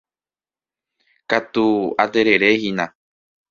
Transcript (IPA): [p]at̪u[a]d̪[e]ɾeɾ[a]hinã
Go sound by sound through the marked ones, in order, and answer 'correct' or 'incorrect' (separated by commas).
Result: incorrect, correct, correct, incorrect